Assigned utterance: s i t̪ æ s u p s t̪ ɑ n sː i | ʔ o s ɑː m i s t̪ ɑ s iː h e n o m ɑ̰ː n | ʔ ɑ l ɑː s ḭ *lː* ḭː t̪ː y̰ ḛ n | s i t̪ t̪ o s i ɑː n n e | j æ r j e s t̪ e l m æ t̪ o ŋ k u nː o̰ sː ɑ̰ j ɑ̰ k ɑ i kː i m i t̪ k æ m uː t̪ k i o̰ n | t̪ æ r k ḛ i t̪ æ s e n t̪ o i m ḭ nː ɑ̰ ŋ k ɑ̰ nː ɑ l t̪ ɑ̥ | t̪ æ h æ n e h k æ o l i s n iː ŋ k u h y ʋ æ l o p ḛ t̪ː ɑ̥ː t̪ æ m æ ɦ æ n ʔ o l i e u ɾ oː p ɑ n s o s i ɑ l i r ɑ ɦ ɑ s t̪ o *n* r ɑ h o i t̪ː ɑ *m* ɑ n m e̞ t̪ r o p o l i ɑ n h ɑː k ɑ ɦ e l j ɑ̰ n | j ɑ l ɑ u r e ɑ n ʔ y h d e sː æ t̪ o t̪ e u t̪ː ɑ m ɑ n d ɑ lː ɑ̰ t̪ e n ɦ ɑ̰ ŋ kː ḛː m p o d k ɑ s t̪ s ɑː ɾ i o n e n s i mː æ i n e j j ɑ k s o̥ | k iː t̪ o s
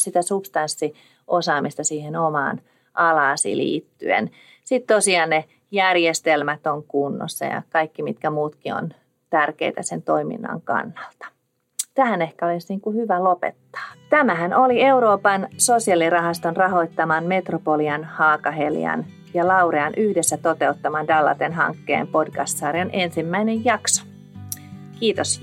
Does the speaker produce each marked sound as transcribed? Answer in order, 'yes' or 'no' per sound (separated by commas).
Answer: no, yes, yes